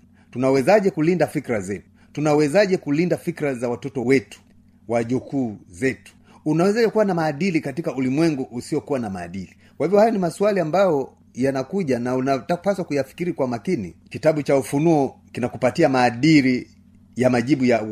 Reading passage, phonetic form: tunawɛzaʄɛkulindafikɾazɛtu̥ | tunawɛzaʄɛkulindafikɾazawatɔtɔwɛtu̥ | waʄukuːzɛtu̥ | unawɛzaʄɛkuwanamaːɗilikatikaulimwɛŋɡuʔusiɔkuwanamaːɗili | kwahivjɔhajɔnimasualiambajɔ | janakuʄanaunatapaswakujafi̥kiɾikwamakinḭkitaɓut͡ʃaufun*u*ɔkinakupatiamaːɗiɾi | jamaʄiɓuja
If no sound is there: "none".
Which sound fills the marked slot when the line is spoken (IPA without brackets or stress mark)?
u